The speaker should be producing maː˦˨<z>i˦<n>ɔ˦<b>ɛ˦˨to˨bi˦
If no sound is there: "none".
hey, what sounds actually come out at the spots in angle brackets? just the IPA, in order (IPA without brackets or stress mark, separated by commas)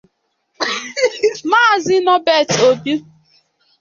z, n, b